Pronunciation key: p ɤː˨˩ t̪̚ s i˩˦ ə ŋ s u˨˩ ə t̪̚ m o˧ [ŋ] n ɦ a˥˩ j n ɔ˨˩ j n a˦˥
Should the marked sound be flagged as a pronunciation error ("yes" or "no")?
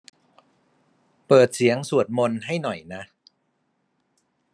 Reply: yes